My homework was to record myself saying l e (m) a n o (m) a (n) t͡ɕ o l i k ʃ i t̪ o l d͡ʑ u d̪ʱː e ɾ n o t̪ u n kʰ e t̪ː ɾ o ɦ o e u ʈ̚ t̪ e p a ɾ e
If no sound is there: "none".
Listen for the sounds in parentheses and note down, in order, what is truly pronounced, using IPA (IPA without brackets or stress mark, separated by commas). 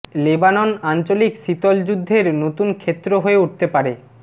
b, n, n